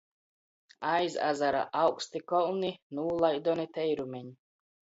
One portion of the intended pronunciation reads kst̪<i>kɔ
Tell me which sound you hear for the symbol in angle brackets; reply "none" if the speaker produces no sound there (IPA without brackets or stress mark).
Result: i